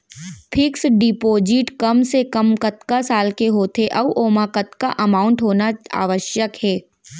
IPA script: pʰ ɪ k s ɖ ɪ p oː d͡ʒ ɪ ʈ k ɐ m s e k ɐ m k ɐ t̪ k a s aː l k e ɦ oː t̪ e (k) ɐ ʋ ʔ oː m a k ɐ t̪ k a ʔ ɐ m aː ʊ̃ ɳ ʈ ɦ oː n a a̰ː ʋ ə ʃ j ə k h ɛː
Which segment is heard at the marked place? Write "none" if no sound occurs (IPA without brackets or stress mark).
ʔ